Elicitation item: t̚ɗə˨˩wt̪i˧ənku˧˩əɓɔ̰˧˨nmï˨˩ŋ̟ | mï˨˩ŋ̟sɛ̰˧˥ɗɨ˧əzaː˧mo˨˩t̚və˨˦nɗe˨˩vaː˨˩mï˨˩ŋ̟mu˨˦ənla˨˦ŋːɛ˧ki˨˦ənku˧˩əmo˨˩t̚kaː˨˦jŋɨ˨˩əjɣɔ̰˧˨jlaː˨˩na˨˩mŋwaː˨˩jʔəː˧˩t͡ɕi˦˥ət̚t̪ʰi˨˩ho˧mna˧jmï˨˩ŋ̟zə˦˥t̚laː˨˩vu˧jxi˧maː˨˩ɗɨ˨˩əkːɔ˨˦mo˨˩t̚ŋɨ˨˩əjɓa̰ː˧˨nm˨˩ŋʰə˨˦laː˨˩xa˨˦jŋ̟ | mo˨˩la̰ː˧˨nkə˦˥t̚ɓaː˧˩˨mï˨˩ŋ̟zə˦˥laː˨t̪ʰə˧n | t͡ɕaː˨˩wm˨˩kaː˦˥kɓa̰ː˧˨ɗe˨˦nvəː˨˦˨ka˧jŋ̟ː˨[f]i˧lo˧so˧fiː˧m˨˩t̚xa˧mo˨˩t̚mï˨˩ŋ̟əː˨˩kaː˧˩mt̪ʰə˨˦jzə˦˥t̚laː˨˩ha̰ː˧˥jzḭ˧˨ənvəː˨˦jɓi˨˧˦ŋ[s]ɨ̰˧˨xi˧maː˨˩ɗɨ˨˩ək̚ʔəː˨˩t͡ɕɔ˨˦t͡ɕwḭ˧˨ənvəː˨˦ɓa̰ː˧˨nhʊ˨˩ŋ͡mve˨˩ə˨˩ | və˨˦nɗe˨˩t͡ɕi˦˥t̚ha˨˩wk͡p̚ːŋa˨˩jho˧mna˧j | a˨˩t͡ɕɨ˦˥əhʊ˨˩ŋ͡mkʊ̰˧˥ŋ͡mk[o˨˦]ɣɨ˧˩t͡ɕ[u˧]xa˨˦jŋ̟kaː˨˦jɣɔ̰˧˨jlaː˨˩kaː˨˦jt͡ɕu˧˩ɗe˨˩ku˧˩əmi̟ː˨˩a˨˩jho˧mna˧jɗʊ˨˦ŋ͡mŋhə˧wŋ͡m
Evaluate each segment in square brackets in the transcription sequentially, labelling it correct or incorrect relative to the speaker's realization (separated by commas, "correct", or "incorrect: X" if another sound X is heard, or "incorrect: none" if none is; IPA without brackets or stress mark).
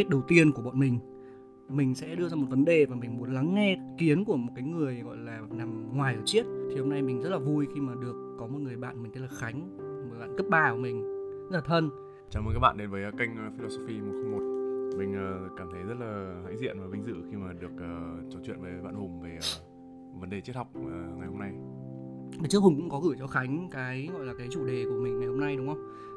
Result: correct, incorrect: z, incorrect: ɔ˨˦, incorrect: ɔ˧